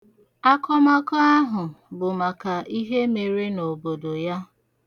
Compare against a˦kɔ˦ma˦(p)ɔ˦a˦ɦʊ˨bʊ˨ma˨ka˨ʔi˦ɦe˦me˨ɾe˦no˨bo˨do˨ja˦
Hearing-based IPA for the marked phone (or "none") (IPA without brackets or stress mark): k